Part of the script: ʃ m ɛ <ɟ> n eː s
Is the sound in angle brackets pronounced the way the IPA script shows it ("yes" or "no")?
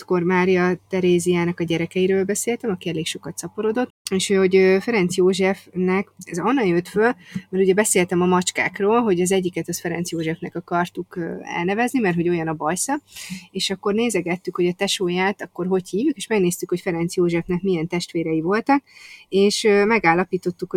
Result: no